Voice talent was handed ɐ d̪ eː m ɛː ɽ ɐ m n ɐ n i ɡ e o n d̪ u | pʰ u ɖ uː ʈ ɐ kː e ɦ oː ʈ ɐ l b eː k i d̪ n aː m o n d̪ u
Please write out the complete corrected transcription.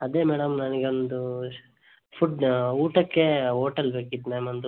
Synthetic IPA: ɐ d̪ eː m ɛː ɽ ɐ m n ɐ n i ɡ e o n d̪ u | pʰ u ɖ uː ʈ ɐ kː e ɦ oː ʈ ɐ l b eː k i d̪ n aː m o n d̪ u

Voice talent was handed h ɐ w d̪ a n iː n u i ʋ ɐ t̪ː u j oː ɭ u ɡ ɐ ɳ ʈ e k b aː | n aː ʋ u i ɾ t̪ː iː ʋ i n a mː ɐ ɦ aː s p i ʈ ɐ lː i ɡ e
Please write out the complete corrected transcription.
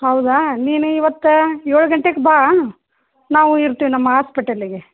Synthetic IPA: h ɐ w d̪ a n iː n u i ʋ ɐ t̪ː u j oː ɭ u ɡ ɐ ɳ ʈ e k b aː | n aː ʋ u i ɾ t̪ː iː ʋ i n ɐ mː ɐ ɦ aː s p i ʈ ɐ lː i ɡ e

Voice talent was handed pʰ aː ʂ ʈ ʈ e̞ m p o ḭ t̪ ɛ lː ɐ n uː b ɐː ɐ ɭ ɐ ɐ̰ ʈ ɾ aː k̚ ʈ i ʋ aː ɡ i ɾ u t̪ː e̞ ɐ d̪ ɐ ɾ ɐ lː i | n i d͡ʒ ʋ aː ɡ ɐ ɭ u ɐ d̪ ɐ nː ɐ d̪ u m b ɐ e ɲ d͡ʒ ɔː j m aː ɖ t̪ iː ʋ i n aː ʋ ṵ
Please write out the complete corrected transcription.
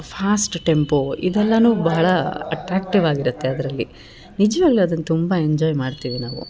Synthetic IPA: pʰ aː s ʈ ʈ e̞ m p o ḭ d̪ ɛ lː ɐ n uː b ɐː ɐ ɭ ɐ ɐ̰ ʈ ɾ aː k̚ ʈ i ʋ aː ɡ i ɾ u t̪ː e̞ ɐ d̪ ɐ ɾ ɐ lː i | n i d͡ʒ ʋ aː ɡ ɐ ɭ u ɐ d̪ ɐ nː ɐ t̪ u m b ɐ e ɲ d͡ʒ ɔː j m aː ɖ t̪ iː ʋ i n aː ʋ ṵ

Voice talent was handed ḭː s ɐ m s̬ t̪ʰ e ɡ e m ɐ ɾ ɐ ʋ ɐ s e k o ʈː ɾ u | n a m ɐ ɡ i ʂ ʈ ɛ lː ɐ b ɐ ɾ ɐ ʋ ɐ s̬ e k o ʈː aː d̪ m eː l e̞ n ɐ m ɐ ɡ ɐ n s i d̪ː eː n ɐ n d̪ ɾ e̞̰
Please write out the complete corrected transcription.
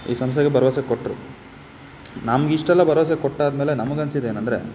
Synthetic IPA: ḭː s ɐ m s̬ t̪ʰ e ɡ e b ɐ ɾ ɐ ʋ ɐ s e k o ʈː ɾ u | n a m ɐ ɡ i ʂ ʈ ɛ lː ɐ b ɐ ɾ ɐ ʋ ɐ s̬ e k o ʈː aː d̪ m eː l e̞ n ɐ m ɐ ɡ ɐ n s i d̪ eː n ɐ n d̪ ɾ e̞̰

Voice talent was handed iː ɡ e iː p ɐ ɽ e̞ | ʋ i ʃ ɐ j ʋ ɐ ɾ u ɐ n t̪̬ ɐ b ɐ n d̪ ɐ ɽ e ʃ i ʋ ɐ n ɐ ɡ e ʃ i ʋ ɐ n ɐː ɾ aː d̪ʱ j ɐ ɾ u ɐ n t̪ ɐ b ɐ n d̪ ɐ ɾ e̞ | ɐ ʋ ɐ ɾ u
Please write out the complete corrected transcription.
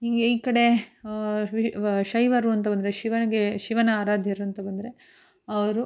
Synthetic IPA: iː ɡ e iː k ɐ ɽ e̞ | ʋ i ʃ ɐ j ʋ ɐ ɾ u ɐ n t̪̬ ɐ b ɐ n d̪ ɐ ɾ e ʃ i ʋ ɐ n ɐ ɡ e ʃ i ʋ ɐ n ɐː ɾ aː d̪ʱ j ɐ ɾ u ɐ n t̪ ɐ b ɐ n d̪ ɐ ɾ e̞ | ɐ ʋ ɐ ɾ u

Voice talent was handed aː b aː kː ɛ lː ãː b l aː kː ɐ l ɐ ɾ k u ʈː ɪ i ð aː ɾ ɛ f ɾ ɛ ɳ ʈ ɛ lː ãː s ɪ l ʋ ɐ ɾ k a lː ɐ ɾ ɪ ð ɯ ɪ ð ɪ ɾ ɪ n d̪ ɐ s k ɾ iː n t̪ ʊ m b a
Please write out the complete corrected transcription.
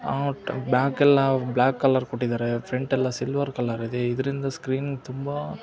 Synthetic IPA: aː b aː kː ɛ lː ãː b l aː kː ɐ l ɐ ɾ k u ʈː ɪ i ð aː ɾ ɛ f ɾ ɛ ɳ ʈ ɛ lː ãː s ɪ l ʋ ɐ ɾ k ɐ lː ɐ ɾ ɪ ð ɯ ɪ ð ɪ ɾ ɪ n d̪ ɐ s k ɾ iː n t̪ ʊ m b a

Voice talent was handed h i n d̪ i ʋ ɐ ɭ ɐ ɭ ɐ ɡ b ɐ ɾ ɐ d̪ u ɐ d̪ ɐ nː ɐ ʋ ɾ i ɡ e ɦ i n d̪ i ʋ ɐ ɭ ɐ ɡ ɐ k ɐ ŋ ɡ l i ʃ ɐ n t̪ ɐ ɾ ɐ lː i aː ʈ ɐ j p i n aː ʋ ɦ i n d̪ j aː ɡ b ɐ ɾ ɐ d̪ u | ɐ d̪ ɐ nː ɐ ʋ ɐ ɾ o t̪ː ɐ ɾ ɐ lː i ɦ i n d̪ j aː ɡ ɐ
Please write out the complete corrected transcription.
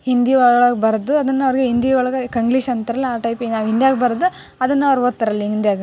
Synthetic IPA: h i n d̪ i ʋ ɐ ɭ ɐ ɭ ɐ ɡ b ɐ ɾ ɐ d̪ u ɐ d̪ ɐ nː ɐ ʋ ɾ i ɡ e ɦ i n d̪ i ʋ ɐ ɭ ɐ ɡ ɐ k ɐ ŋ ɡ l i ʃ ɐ n t̪ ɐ ɾ ɐ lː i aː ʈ ɐ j p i n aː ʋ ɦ i n d̪ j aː ɡ b ɐ ɾ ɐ d̪ u | ɐ d̪ ɐ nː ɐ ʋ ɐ ɾ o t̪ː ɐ ɾ ɐ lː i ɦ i n d̪ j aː ɡ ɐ

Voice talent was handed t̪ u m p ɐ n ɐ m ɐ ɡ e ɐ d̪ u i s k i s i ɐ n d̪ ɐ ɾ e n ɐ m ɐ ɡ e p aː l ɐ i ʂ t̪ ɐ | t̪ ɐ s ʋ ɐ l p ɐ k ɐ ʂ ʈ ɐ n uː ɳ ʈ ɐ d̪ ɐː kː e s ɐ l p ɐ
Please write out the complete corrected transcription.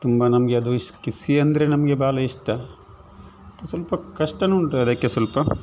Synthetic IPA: t̪ u m b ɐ n ɐ m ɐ ɡ e ɐ d̪ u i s k i s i ɐ n d̪ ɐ ɾ e n ɐ m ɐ ɡ e b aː l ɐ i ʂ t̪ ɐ | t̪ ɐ s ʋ ɐ l p ɐ k ɐ ʂ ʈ ɐ n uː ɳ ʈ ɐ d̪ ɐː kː e s ɐ l p ɐ

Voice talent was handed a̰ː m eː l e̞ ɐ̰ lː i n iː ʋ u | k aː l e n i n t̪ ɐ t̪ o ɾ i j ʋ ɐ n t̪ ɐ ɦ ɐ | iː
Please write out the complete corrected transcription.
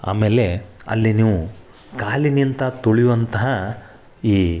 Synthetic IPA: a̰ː m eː l e̞ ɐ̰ lː i n iː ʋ u | k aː l i n i n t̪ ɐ t̪ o ɭ i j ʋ ɐ n t̪ ɐ ɦ ɐ | iː

